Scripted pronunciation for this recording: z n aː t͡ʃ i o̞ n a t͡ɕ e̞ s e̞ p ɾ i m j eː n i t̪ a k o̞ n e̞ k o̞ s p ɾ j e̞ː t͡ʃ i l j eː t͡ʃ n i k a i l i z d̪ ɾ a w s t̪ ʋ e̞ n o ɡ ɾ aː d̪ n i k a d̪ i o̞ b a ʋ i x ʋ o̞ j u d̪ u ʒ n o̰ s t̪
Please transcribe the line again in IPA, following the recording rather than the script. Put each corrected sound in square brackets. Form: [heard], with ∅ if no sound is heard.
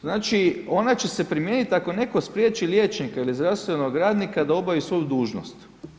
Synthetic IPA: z n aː t͡ʃ i o̞ n a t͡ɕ e̞ s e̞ p ɾ i m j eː n i t̪ a k o̞ n e̞ k o̞ s p ɾ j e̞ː t͡ʃ i l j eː t͡ʃ n i k a i l i z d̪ ɾ a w s t̪ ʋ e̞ n o ɡ ɾ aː d̪ n i k a d̪ [a] o̞ b a ʋ i [s] ʋ o̞ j u d̪ [uː] ʒ n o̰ s t̪